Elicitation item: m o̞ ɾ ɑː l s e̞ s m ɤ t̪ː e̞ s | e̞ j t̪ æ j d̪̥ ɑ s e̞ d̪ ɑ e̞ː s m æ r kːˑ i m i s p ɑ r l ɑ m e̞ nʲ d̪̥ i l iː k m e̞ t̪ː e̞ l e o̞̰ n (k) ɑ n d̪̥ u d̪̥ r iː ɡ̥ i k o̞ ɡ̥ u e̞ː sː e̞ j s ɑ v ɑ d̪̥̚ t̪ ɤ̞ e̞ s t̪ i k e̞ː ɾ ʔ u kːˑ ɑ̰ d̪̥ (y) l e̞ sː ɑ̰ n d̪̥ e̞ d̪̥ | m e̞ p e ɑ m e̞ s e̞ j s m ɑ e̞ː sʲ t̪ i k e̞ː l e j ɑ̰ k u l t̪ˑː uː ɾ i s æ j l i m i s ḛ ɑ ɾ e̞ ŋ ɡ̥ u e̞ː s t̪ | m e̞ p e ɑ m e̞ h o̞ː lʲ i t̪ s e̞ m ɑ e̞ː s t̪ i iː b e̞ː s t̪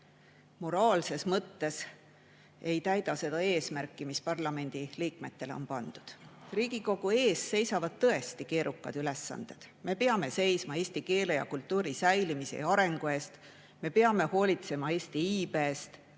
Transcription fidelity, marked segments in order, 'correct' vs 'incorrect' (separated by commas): incorrect, correct